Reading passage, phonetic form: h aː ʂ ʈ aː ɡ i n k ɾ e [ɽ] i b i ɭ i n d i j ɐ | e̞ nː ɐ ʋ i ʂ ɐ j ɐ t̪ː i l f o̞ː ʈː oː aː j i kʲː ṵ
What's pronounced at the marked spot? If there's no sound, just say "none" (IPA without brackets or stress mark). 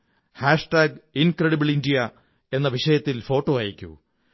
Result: ɽ